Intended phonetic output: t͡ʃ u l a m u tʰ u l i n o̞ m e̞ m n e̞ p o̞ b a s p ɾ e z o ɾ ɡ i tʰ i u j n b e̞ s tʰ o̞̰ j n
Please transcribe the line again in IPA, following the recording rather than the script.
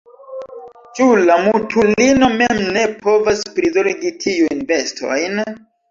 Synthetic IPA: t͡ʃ u l a m u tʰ u l i n o̞ m e̞ m n e̞ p o̞ v a s p ɾ i z o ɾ ɡ i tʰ i u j n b e̞ s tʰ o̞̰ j n